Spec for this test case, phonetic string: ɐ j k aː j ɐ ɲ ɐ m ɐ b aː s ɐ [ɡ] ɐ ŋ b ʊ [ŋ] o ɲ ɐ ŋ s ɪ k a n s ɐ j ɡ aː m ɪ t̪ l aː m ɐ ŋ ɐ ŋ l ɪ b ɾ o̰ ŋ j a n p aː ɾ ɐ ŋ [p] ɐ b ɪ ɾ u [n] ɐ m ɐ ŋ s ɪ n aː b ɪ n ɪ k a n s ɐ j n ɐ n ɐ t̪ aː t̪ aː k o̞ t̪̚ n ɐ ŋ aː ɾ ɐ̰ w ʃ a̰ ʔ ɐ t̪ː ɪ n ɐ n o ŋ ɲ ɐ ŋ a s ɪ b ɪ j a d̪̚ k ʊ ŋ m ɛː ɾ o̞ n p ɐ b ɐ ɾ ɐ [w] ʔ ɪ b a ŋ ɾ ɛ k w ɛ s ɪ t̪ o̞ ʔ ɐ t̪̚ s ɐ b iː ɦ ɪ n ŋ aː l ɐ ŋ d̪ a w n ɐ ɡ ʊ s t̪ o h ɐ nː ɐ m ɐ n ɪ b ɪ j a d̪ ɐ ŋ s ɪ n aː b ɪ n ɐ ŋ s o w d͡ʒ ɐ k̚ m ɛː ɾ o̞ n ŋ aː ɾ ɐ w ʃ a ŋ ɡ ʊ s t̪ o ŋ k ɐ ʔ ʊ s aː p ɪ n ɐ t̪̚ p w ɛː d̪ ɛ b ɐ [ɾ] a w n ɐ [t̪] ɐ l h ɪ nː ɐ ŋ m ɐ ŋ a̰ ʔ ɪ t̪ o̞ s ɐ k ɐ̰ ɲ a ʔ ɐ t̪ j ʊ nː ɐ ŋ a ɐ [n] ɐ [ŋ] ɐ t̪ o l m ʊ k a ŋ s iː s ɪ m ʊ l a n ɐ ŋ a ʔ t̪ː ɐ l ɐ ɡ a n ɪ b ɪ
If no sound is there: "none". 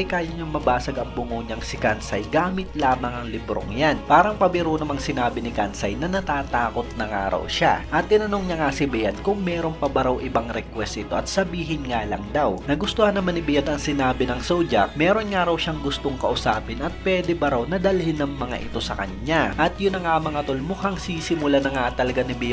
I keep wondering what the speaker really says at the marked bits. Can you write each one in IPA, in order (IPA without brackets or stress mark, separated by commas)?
ɡ, ŋ, p, n, w, ɾ, d̪, m, ŋ